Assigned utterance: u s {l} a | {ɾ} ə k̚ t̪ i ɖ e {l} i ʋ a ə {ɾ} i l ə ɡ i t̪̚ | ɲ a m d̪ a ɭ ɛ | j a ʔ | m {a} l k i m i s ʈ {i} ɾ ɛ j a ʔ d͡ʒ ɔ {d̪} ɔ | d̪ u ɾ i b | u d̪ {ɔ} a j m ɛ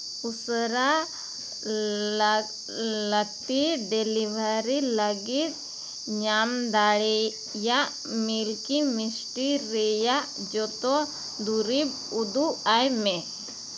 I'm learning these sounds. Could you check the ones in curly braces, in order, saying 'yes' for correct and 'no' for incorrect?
no, no, yes, yes, no, yes, no, no

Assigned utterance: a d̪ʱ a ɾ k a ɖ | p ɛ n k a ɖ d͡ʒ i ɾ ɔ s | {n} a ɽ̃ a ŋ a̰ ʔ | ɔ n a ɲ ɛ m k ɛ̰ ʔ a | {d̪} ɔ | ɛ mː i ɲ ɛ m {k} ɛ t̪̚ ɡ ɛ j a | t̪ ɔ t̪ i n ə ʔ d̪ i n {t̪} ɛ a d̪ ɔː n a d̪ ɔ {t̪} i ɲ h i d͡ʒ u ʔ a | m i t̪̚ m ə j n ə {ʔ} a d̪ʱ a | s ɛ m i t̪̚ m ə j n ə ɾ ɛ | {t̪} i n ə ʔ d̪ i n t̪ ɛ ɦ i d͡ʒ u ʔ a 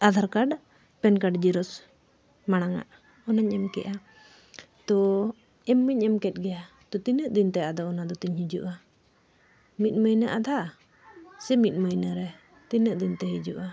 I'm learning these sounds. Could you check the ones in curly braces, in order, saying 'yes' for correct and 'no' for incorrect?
no, no, yes, yes, yes, yes, yes

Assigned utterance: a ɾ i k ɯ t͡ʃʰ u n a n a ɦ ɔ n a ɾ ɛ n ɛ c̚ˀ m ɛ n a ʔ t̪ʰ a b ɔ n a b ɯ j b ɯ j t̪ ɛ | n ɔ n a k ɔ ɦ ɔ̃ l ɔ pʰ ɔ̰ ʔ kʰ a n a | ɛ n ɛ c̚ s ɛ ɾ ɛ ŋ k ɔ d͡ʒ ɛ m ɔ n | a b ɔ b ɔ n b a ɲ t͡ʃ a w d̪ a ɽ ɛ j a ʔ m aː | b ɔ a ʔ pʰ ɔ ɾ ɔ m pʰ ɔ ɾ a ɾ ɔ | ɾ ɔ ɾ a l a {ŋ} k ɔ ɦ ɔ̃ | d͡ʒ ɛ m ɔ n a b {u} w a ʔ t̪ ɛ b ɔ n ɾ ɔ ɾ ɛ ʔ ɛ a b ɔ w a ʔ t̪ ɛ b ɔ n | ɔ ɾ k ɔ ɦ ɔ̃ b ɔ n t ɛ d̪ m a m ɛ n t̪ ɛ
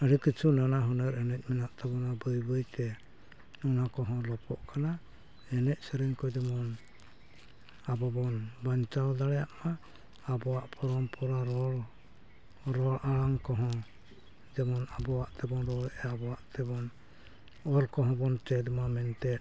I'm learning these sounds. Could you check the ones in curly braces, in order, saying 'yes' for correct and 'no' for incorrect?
yes, no

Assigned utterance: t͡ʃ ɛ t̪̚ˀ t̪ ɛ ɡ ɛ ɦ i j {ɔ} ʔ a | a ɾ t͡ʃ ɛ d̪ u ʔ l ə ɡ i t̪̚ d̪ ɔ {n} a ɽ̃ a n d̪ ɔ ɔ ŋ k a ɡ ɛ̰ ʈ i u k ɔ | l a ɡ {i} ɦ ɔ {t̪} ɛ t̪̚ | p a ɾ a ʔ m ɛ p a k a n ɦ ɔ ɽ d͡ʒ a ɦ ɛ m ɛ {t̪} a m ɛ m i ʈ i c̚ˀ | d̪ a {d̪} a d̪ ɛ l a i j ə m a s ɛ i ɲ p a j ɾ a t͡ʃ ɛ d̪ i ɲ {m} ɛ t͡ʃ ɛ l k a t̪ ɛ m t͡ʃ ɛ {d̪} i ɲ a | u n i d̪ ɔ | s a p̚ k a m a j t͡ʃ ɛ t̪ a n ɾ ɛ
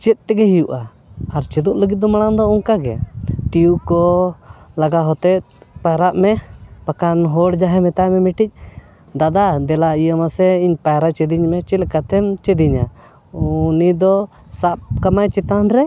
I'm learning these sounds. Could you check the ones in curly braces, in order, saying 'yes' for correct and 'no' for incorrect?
no, no, no, yes, yes, yes, yes, yes

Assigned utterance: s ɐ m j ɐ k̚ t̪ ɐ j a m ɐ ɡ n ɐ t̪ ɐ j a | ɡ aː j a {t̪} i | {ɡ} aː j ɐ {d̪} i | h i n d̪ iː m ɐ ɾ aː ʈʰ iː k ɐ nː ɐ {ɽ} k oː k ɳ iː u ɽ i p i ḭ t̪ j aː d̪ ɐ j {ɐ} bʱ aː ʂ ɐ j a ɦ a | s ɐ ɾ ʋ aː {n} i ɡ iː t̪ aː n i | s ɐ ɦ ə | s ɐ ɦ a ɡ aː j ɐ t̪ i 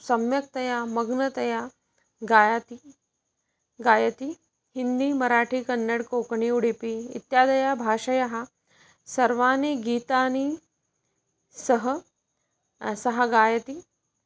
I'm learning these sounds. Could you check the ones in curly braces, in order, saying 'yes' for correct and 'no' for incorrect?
yes, yes, no, yes, no, yes

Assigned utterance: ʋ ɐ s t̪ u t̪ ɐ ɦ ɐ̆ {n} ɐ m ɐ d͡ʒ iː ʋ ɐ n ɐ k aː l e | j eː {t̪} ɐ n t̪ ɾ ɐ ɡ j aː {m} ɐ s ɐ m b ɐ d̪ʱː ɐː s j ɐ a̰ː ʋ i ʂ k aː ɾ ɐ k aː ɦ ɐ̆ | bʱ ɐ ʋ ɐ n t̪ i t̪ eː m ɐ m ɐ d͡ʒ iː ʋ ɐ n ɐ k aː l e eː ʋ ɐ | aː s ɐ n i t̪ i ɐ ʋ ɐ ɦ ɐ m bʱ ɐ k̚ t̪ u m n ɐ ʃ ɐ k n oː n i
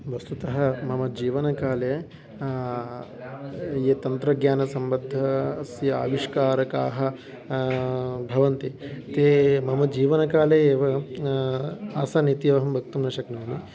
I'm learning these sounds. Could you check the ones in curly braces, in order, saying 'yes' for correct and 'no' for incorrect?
no, yes, no

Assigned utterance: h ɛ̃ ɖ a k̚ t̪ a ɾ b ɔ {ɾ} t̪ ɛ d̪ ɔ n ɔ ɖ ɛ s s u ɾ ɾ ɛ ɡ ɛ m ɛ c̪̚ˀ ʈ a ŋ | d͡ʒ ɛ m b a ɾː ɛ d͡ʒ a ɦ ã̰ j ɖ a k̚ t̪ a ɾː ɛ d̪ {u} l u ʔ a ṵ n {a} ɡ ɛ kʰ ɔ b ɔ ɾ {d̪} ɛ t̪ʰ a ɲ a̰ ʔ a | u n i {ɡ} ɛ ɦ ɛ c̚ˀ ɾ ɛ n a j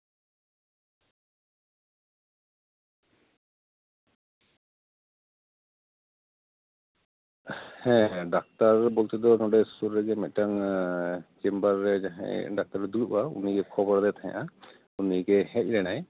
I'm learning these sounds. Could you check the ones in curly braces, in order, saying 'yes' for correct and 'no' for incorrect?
no, yes, no, yes, yes

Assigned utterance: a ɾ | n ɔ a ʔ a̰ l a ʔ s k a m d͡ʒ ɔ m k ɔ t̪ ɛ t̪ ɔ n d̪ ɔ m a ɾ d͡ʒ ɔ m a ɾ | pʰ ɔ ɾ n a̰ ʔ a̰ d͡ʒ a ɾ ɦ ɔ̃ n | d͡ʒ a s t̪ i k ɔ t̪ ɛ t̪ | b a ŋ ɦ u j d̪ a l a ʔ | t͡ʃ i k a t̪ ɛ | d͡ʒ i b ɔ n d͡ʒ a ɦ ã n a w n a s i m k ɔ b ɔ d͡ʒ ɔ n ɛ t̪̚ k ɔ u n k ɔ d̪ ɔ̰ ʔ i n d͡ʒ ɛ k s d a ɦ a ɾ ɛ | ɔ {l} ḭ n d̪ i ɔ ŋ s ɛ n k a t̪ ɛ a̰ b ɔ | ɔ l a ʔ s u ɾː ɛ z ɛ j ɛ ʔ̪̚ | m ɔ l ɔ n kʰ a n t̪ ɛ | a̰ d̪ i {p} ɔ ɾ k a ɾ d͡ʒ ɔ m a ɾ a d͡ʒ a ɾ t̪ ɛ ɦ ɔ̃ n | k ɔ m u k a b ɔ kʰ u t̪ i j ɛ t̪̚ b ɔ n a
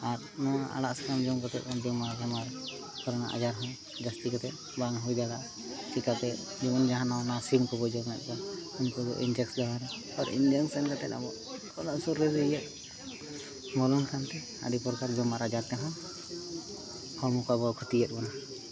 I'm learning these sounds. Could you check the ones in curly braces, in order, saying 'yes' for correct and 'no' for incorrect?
no, yes

